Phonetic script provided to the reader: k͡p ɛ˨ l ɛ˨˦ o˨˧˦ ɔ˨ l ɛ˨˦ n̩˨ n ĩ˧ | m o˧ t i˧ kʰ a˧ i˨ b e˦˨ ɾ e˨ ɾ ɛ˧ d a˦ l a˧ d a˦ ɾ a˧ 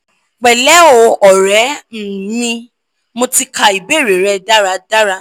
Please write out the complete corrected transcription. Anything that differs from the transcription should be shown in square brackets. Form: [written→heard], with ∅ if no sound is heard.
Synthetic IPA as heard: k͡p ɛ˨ l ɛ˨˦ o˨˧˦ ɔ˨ [l→ɾ] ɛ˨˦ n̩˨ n ĩ˧ | m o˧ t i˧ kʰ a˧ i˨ b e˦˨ ɾ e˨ ɾ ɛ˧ d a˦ [l→ɾ] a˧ d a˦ ɾ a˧